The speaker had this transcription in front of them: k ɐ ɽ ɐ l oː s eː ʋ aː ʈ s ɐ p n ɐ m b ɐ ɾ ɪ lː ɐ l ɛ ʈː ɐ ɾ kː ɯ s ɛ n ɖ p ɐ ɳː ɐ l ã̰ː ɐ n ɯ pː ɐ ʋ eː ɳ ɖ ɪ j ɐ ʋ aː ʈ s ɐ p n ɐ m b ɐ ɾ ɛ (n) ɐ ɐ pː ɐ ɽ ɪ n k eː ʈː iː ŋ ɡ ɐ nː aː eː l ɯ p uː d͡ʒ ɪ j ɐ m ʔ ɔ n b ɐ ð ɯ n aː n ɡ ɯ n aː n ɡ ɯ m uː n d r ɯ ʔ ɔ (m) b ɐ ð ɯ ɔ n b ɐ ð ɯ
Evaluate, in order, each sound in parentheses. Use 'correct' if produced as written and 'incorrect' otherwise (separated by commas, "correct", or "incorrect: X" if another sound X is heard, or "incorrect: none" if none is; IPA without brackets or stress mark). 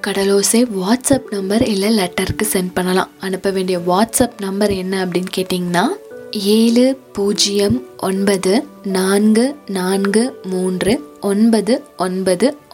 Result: incorrect: nː, incorrect: n